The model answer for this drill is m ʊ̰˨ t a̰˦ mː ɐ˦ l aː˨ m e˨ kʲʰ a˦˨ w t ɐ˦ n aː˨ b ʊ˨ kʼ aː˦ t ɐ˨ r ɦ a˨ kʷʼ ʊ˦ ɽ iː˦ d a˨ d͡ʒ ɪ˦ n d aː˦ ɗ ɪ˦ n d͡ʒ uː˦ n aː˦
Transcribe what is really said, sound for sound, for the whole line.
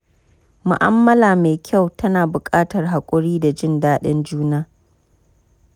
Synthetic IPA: m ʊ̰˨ ʔ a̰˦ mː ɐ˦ l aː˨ m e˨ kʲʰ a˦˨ w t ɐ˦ n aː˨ b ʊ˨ kʼ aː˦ t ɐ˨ r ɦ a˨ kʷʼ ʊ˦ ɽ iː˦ d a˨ d͡ʒ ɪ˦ n d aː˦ ɗ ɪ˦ n d͡ʒ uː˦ n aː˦

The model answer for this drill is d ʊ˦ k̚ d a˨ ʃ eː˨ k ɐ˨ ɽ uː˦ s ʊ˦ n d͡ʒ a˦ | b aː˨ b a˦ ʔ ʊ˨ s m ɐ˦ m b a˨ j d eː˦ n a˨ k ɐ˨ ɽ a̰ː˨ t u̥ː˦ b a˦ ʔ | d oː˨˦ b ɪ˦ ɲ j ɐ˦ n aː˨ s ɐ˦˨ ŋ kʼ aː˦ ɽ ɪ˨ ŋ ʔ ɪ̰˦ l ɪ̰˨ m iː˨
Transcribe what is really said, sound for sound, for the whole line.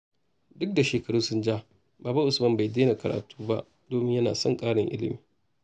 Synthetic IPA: d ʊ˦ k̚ d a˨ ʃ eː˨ k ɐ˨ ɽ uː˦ s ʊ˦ n d͡ʒ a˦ | b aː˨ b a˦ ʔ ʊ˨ s m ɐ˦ m b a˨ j d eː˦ n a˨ k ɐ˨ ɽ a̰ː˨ t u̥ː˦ b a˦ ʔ | d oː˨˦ m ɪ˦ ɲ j ɐ˦ n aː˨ s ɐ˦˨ ŋ kʼ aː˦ ɽ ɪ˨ ŋ ʔ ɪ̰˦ l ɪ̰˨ m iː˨

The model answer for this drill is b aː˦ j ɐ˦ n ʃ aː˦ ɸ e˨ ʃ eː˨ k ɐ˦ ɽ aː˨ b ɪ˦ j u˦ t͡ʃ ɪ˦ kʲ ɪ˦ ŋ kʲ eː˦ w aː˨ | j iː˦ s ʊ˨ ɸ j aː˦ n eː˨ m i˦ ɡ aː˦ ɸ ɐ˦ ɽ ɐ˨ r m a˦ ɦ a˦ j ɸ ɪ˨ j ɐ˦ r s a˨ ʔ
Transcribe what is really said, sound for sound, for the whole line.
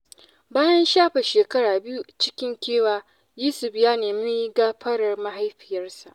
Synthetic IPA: b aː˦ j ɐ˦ n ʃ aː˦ ɸ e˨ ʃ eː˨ k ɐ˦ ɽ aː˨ b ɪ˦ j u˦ t͡ʃ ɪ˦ kʲ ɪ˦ ŋ kʲ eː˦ w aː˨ | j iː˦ s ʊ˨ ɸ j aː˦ n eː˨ m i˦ ɡ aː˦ ɸ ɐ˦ ɽ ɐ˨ r m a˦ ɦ a˦ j ɸ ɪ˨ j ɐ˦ r s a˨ ʔ

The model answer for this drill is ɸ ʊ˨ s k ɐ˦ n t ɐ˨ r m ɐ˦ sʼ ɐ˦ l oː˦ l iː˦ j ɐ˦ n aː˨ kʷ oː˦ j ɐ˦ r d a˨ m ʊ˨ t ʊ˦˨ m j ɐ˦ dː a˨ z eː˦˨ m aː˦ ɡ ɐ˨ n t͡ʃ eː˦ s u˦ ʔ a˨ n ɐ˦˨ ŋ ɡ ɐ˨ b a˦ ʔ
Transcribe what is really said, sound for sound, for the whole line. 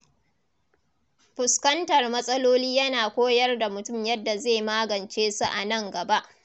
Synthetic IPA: ɸ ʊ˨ s k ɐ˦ n t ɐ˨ r m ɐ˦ sʼ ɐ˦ l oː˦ l iː˦ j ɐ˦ n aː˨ kʷ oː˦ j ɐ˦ r d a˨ m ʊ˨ t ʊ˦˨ m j ɐ˦ dː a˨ z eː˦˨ m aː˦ ɡ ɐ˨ n t͡ʃ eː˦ s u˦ ʔ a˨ n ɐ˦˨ ŋ ɡ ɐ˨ b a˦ ʔ

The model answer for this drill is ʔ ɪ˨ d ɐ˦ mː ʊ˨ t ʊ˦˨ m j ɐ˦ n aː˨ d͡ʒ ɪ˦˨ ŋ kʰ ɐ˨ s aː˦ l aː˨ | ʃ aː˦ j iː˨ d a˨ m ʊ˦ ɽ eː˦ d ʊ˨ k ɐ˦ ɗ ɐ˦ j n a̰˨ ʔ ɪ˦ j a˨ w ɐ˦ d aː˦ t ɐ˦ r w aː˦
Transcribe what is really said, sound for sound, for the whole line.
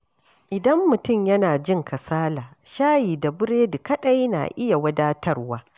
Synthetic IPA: ʔ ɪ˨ d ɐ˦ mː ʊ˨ t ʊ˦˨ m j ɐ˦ n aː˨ d͡ʒ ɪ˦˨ ŋ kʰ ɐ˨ s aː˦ l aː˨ | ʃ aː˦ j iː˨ d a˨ b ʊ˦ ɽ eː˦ d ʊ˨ k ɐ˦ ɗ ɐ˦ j n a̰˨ ʔ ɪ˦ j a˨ w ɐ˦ d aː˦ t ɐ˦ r w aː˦

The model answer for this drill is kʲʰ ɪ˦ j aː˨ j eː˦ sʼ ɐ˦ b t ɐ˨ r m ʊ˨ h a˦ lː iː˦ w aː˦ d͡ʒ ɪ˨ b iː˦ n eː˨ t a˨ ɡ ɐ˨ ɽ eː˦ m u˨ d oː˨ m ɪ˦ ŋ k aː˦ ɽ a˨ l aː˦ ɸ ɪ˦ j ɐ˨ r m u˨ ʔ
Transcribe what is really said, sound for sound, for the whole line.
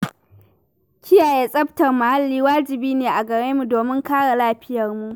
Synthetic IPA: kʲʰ ɪ˦ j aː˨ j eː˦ sʼ ɐ˦ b t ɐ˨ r m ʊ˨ h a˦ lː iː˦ w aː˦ d͡ʒ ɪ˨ b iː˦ n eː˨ ʔ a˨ ɡ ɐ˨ ɽ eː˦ m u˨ d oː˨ m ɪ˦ ŋ k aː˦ ɽ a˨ l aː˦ ɸ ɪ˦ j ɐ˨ r m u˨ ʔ

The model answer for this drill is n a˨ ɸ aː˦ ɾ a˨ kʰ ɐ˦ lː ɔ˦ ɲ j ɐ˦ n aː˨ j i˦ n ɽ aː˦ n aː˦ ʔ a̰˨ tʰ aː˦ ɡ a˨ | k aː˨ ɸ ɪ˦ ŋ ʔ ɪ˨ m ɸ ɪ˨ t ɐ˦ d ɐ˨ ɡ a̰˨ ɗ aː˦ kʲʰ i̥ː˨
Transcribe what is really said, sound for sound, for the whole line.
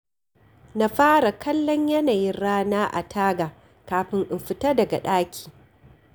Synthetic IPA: n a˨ ɸ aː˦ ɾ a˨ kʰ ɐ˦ lː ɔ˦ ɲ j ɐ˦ n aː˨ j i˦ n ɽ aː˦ n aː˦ ʔ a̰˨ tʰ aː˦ ɡ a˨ | k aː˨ ɸ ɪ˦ ŋ ʔ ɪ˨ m ɸ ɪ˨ t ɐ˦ d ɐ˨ ɡ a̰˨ ɗ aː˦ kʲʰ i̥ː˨

